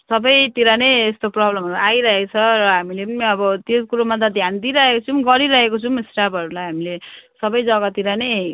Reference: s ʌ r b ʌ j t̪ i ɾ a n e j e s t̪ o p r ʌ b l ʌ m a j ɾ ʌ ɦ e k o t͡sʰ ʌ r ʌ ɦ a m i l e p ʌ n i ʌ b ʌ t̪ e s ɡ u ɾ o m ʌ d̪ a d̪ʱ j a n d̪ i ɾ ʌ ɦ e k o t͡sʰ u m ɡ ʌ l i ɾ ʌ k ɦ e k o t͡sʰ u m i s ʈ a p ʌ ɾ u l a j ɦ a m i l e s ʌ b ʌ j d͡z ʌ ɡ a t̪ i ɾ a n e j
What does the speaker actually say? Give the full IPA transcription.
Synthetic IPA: s ʌ b ʌ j t̪ i ɾ a n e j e s t̪ o p r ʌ b l ʌ m a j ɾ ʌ ɦ e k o t͡sʰ ʌ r ʌ ɦ a m i l e p ʌ n i ʌ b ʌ t̪ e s k u ɾ o m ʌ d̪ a d̪ʱ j a n d̪ i ɾ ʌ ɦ e k o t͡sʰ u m ɡ ʌ ɾ i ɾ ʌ ɦ e k o t͡sʰ u m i s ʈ a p ʌ ɾ u l a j ɦ a m i l e s ʌ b ʌ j d͡z ʌ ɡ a t̪ i ɾ a n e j

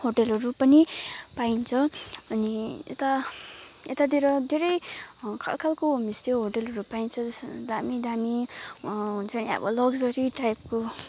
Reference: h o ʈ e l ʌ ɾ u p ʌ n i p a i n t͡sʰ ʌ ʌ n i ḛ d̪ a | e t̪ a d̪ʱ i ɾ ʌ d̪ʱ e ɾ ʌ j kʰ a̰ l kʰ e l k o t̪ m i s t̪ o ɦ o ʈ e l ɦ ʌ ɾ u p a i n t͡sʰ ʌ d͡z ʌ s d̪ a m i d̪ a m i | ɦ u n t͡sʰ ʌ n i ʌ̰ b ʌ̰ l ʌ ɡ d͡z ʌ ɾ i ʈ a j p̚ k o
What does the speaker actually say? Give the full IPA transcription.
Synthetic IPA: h o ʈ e l ʌ ɾ u p ʌ n i p a i n t͡sʰ ʌ ʌ n i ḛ t̪ a | e t̪ a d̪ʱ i ɾ ʌ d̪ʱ e ɾ ʌ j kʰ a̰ l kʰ a l k o m i s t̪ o ɦ o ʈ e l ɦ ʌ ɾ u p a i n t͡sʰ ʌ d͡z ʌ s d̪ a m i d̪ a m i | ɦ u n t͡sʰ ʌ n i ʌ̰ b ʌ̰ l ʌ ɡ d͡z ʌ ɾ i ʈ a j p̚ k o

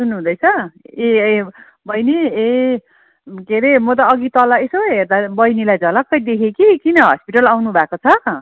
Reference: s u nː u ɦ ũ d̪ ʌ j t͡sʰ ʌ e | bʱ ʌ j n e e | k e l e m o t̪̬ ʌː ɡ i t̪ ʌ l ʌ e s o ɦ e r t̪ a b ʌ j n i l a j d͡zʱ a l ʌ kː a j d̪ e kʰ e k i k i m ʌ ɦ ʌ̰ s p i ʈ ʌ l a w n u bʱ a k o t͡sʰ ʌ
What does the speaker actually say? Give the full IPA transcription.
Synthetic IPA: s u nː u ɦ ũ d̪ ʌ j t͡sʰ ʌ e | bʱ ʌ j n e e | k e ɾ e m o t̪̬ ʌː ɡ i t̪ ʌ l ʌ e s o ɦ e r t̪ a b ʌ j n i l a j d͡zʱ ʌ l ʌ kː ʌ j d̪ e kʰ e k i k i n ʌ ɦ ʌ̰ s p i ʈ ʌ l a w n u bʱ a k o t͡sʰ ʌ

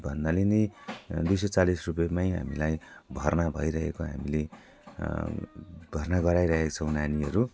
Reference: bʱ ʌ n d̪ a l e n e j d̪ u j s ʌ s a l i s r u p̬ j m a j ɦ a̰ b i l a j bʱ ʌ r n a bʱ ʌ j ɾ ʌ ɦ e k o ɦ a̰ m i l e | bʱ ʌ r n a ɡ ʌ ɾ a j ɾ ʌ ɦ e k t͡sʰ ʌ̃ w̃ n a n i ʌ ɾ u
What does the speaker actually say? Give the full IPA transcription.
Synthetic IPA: bʱ ʌ n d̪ a l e n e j d̪ u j s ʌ t͡s a l i s r u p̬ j m a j ɦ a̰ m i l a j bʱ ʌ r n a bʱ ʌ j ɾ ʌ ɦ e k o ɦ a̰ m i l e | bʱ ʌ r n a ɡ ʌ ɾ a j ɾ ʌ ɦ e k t͡sʰ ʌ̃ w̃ n a n i ʌ ɾ u

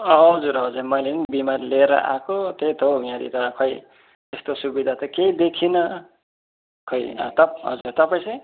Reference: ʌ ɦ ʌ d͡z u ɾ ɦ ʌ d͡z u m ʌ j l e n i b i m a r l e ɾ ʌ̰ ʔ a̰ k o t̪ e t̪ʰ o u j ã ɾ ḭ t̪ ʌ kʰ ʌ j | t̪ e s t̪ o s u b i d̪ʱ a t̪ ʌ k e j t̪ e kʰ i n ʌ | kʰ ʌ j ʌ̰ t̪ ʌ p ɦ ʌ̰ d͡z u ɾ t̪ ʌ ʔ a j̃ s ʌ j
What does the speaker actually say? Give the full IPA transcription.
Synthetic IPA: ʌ ɦ ʌ d͡z u ɾ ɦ ʌ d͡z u m ʌ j l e n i b i m a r l e ɾ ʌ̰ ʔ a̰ k o t̪ e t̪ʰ o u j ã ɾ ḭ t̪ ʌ kʰ ʌ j | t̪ e s t̪ o s u b i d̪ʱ a t̪ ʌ k e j d̪ e kʰ i n ʌ | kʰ ʌ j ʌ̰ t̪ ʌ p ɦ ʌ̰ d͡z u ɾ t̪ ʌ p a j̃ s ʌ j

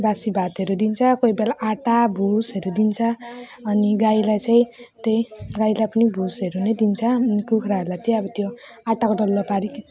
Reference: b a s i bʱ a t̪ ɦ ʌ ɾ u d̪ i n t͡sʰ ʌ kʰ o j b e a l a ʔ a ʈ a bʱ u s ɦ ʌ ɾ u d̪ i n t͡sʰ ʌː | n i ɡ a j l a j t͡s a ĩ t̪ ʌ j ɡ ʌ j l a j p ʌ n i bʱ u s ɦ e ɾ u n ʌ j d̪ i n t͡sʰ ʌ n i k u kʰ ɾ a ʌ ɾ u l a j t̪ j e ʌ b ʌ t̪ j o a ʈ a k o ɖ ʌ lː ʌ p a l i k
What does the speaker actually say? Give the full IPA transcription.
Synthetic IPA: b a s i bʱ a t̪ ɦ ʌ ɾ u d̪ i n t͡sʰ ʌ k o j b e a l a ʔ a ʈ a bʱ u s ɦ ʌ ɾ u d̪ i n t͡sʰ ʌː | n i ɡ a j l a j t͡s a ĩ t̪ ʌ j ɡ a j l a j p ʌ n i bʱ u s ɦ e ɾ u n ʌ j d̪ i n t͡sʰ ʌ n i k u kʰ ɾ a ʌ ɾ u l a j t̪ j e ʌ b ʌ t̪ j o a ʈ a k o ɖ ʌ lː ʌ p a ɾ i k

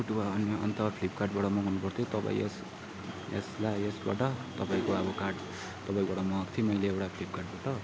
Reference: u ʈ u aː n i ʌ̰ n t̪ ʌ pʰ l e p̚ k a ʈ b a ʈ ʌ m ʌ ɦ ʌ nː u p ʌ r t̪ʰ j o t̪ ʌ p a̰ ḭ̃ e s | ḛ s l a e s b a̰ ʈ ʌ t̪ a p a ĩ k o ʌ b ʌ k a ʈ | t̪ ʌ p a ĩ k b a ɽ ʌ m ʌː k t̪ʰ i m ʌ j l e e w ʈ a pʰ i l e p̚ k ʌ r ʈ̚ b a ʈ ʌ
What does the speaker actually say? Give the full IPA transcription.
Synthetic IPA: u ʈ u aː n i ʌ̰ n t̪ ʌ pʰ l i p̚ k a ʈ b a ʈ ʌ m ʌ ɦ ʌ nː u p ʌ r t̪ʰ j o t̪ ʌ p a̰ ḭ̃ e s | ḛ s l a e s b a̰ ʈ ʌ t̪ ʌ p a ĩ k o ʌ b ʌ k a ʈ | t̪ ʌ p a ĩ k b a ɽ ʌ m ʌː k t̪ʰ i m ʌ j l e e w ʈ a pʰ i l i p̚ k a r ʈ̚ b a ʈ ʌ

